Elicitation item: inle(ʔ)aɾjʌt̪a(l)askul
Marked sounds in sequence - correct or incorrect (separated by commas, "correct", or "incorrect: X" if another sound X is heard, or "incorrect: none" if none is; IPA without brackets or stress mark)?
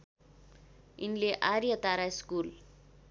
correct, incorrect: ɾ